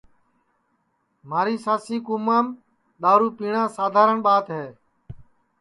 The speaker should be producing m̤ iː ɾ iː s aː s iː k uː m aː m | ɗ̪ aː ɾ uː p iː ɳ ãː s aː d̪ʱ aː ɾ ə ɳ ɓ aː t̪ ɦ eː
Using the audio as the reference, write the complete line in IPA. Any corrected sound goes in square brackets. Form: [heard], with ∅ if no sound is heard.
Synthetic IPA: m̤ [aː] ɾ iː s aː s iː k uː m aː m | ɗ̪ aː ɾ uː p iː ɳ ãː s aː d̪ʱ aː ɾ ə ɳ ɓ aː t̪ ɦ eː